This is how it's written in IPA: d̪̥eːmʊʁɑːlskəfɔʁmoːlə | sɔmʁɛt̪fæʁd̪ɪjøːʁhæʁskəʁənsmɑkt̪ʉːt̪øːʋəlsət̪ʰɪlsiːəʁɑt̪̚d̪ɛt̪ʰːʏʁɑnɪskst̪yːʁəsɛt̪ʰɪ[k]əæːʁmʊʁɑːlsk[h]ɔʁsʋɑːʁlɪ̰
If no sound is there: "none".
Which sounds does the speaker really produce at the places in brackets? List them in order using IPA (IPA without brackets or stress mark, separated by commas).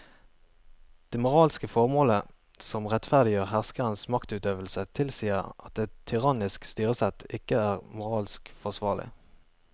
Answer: k, f